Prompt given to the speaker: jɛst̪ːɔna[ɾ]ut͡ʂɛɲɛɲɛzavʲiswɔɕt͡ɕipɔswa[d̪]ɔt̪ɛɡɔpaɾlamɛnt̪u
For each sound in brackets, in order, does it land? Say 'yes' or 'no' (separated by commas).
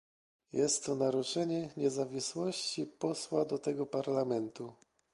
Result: yes, yes